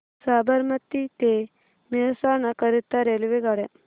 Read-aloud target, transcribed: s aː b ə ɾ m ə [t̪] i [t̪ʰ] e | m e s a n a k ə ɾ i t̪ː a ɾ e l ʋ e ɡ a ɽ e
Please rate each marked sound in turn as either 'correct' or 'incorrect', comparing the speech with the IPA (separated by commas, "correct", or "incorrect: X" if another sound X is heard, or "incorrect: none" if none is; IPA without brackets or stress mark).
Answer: correct, incorrect: t̪